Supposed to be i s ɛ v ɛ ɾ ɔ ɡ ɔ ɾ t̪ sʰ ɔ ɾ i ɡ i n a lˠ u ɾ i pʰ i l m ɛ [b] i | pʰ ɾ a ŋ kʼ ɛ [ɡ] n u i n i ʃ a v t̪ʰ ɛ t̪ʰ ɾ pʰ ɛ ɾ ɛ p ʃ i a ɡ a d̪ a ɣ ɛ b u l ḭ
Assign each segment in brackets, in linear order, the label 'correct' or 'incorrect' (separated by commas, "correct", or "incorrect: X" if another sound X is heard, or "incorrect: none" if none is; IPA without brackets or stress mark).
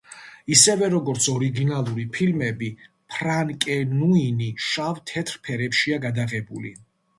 correct, incorrect: none